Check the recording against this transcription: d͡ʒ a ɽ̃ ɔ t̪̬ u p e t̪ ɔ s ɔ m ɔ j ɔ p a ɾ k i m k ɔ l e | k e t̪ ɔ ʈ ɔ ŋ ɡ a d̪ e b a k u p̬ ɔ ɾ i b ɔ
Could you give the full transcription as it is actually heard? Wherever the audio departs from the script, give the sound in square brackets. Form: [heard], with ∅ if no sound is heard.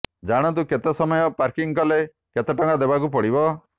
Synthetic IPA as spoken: d͡ʒ a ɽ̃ ɔ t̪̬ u [k] e t̪ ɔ s ɔ m ɔ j ɔ p a ɾ k i [ŋ] k ɔ l e | k e t̪ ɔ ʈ ɔ ŋ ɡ a d̪ e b a k u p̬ ɔ [ɽ] i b ɔ